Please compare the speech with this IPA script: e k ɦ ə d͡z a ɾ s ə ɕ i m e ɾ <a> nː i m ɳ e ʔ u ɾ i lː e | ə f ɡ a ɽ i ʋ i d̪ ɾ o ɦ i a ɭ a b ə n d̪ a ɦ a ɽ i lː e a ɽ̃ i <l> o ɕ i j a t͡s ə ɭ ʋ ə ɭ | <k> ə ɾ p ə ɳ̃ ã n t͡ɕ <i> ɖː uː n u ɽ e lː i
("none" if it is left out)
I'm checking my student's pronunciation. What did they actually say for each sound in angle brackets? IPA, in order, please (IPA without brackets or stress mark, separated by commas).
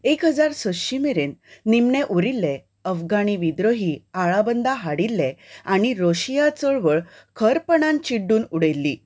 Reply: e, ɾ, kʰ, i